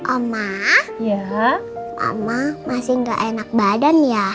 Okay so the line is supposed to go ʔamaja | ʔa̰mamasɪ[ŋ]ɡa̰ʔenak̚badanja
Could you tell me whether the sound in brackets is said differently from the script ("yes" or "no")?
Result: no